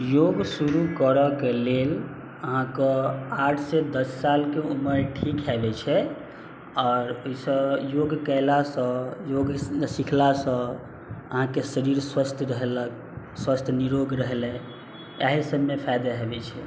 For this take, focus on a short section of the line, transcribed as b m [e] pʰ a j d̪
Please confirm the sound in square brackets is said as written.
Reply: yes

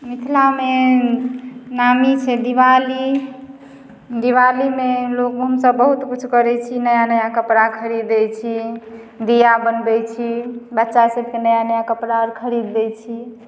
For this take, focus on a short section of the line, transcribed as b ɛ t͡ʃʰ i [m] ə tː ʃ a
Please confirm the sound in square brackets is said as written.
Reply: no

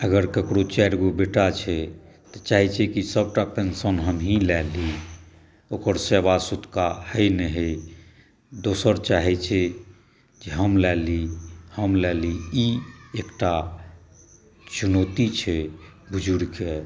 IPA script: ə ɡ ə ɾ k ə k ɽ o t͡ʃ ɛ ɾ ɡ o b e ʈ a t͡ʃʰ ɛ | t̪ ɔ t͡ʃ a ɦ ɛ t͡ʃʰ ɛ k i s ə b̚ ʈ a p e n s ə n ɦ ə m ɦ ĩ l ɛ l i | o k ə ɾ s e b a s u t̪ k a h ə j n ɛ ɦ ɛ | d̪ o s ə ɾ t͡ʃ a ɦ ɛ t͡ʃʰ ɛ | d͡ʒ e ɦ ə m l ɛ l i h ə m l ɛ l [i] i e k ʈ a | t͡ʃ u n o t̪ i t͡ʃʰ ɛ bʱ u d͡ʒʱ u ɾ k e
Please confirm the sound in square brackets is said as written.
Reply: yes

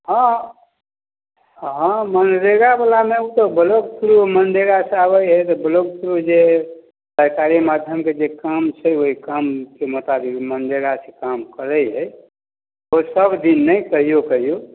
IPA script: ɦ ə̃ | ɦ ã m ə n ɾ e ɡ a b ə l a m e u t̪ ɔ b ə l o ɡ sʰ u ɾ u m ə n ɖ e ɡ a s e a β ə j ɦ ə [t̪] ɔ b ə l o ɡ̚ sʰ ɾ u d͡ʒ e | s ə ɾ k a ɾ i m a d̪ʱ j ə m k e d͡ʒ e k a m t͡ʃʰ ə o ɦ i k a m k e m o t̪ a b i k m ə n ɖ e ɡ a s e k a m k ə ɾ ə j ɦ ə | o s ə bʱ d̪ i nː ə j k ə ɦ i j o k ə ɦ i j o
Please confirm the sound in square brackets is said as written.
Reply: yes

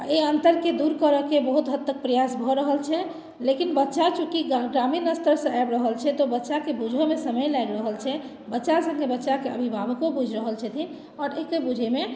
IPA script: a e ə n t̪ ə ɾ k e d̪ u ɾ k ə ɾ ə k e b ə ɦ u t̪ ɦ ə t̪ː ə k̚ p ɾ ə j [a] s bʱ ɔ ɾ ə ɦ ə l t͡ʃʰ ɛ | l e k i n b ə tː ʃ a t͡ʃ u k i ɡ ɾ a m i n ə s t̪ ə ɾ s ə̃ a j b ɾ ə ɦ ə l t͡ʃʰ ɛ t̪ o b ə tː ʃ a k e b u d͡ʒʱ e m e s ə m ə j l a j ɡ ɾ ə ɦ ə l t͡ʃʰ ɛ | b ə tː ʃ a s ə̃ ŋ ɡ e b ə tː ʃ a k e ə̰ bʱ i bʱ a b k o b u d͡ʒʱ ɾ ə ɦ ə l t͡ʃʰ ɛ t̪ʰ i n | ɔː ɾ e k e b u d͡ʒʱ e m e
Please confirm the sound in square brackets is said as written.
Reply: yes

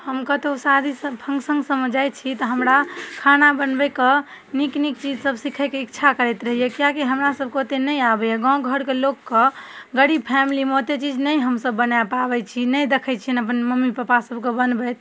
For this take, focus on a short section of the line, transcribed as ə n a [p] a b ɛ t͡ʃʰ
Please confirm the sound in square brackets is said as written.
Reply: yes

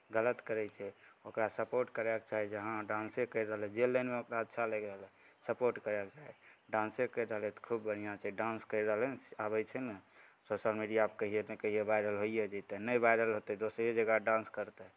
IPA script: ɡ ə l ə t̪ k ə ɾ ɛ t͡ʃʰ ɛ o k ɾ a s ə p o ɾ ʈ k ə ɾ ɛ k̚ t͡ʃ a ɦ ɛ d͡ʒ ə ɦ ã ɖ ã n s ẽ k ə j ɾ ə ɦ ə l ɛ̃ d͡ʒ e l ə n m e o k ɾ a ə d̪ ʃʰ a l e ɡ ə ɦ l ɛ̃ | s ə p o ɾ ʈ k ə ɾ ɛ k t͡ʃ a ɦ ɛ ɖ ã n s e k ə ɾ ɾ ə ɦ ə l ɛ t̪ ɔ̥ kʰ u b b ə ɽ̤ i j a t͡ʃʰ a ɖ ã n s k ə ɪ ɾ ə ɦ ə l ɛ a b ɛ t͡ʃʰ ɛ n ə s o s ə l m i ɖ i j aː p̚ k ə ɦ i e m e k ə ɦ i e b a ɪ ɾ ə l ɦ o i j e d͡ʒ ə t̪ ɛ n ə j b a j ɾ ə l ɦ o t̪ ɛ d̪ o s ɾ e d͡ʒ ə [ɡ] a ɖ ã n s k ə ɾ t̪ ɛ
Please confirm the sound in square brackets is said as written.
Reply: yes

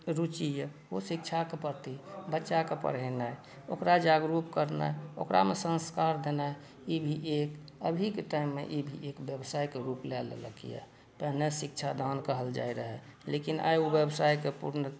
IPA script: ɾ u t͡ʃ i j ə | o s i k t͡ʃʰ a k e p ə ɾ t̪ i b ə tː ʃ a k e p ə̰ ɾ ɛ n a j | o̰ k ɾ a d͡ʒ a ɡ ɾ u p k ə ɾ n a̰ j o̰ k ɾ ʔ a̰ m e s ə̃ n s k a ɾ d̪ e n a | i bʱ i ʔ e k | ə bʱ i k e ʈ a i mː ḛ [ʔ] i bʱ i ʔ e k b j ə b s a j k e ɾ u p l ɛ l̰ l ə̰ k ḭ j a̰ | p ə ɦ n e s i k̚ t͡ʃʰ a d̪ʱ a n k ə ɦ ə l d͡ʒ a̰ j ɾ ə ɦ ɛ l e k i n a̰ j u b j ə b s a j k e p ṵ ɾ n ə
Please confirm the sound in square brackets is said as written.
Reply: yes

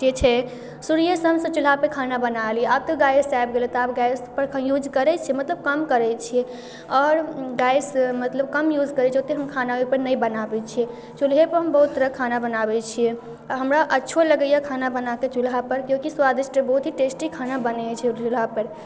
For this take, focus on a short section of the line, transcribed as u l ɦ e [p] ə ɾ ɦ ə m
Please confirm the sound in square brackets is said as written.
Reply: yes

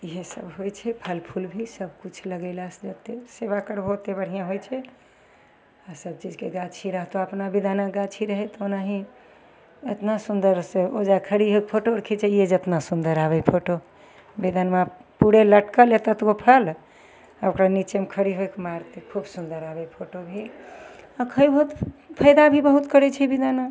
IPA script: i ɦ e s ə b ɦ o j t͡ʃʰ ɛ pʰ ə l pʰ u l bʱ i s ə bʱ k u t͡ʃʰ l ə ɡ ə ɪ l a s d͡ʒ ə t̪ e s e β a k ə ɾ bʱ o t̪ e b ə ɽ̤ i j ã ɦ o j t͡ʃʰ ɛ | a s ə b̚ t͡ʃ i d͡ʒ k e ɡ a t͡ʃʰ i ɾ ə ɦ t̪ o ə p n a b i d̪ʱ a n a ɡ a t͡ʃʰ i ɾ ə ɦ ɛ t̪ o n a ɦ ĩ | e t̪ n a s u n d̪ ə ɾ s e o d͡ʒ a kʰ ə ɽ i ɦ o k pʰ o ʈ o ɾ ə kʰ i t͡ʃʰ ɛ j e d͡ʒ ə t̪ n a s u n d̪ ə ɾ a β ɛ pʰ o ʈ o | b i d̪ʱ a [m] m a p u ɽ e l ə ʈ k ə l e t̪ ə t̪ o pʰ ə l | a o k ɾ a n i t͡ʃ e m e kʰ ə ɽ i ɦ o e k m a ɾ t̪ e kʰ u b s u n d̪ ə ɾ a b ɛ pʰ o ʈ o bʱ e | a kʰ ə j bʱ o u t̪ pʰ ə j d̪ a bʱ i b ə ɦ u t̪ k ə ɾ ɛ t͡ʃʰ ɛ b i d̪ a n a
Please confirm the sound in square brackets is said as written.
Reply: no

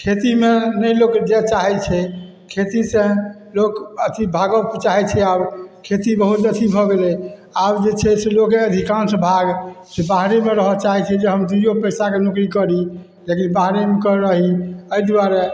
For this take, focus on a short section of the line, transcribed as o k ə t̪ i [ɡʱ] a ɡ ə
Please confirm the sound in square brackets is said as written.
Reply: no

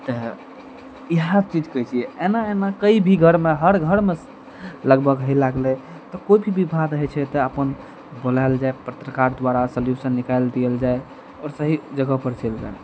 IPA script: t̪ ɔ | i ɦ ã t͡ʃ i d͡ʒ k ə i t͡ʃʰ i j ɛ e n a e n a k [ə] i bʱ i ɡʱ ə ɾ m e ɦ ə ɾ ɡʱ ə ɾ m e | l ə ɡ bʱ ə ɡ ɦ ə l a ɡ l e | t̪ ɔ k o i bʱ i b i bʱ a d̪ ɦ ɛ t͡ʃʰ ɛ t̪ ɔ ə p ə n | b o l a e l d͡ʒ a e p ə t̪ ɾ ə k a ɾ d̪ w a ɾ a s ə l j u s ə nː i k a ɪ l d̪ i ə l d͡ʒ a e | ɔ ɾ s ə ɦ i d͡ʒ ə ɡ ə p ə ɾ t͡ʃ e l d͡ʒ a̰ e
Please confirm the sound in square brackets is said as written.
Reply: yes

